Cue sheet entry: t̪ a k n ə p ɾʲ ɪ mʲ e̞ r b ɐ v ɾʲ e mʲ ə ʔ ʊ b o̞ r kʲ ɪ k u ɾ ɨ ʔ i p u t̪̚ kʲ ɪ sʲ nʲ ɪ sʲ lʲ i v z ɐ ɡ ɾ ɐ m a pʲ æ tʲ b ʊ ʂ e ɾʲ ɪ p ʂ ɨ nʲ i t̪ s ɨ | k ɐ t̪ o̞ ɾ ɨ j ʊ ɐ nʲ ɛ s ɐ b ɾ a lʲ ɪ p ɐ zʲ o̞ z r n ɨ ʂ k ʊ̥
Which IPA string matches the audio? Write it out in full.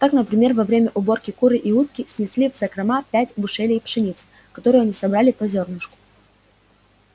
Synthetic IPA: t̪ a k n ə p ɾʲ ɪ mʲ e̞ r v ɐ v ɾʲ e mʲ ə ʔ ʊ b o̞ r kʲ ɪ k u ɾ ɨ ʔ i u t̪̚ kʲ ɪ sʲ nʲ ɪ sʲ lʲ i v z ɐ k ɾ ɐ m a pʲ æ tʲ b ʊ ʂ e lʲ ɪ p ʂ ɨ nʲ i t̪ s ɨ | k ɐ t̪ o̞ ɾ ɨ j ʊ ɐ nʲ i s ɐ b ɾ a lʲ ɪ p ɐ zʲ o̞ r n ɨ ʂ k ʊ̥